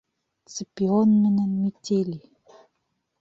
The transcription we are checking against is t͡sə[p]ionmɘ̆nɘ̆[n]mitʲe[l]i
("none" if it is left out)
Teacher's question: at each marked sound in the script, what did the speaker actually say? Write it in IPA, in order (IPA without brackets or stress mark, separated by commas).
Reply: p, n, l